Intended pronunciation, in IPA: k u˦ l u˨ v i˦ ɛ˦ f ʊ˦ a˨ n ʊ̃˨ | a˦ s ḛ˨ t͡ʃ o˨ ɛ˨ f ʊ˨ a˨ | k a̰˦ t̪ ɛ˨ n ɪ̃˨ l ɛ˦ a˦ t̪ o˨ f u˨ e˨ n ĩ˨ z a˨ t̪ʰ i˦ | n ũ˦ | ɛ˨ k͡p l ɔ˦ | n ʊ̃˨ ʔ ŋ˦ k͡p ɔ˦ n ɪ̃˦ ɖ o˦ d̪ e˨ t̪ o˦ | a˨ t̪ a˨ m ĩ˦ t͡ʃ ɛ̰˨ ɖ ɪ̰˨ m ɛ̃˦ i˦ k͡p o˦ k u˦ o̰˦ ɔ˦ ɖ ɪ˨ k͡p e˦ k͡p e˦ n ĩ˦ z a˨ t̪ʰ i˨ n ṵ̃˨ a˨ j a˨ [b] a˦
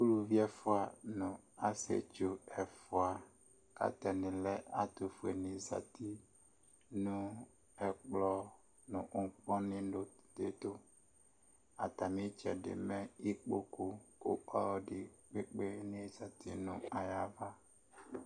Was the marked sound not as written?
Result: yes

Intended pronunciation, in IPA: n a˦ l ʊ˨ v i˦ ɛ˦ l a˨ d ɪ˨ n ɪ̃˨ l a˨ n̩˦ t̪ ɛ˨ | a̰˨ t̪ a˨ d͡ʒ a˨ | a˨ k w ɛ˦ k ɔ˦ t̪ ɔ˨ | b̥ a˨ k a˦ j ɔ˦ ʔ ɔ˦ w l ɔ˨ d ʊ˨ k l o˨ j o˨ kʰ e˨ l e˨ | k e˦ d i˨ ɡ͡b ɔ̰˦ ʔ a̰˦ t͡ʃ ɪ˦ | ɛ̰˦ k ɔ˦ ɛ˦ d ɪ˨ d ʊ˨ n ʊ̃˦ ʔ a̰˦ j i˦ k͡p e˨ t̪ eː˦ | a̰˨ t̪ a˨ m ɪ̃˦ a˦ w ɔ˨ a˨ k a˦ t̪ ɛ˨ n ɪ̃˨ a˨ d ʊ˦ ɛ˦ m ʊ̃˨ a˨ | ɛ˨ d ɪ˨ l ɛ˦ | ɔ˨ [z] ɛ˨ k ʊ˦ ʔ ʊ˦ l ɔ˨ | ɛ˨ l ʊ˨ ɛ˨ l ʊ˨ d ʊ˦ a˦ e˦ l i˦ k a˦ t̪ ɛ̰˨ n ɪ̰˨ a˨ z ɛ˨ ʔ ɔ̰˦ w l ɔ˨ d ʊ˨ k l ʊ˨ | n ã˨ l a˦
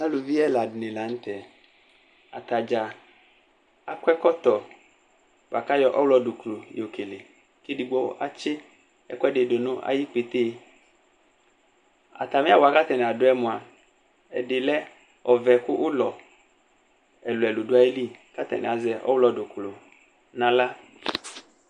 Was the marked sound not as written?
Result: yes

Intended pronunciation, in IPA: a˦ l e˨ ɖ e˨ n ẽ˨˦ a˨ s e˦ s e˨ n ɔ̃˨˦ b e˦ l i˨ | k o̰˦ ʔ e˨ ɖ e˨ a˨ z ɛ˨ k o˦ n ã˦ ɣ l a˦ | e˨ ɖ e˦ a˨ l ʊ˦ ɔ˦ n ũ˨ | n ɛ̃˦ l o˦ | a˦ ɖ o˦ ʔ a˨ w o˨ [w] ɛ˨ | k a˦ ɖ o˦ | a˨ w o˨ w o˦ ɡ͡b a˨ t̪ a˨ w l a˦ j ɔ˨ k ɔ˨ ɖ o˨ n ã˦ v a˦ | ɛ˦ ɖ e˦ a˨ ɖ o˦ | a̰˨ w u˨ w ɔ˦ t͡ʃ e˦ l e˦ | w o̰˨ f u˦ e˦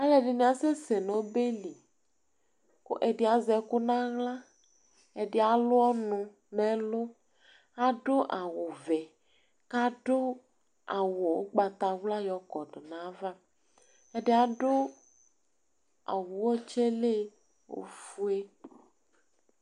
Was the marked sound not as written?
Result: yes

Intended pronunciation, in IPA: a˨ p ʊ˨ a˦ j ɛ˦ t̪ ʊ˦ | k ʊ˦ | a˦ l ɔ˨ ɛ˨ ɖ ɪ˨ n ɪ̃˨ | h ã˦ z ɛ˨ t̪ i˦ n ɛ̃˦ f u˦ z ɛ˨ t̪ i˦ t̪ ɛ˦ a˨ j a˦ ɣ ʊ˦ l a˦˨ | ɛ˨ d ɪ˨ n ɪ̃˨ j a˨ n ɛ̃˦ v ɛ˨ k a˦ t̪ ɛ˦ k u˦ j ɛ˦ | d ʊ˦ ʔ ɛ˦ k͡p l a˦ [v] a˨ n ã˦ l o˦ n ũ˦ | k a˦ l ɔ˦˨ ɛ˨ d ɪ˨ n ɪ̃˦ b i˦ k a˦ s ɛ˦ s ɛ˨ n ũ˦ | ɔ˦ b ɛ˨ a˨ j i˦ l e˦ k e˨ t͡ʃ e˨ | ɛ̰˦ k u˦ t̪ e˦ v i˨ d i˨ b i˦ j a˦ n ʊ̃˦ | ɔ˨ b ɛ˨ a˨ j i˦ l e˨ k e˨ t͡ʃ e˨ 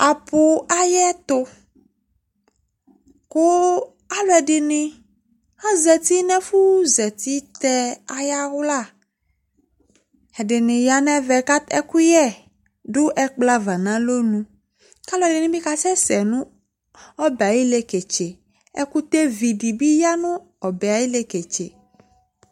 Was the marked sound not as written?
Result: no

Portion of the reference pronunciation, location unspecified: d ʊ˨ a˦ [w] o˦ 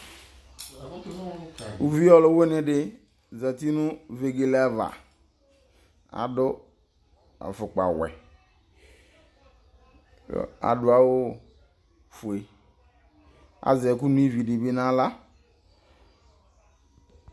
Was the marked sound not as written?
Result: no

